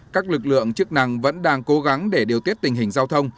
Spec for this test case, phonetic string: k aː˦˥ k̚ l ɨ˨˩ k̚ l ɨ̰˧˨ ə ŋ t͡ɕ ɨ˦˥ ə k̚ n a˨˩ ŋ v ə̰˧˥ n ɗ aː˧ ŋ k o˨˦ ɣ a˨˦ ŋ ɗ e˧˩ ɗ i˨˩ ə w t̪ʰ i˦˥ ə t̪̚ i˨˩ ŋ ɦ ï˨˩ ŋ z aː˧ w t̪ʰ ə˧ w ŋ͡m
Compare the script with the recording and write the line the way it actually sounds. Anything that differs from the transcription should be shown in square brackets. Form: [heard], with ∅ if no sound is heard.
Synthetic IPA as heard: k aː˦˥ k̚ l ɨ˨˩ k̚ l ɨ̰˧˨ ə ŋ t͡ɕ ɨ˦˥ ə k̚ n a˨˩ ŋ v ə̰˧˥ n ɗ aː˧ ŋ k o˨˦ ɣ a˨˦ ŋ ɗ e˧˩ ɗ i˨˩ ə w [t̪] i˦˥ ə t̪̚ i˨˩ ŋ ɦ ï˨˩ ŋ z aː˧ w t̪ʰ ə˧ w ŋ͡m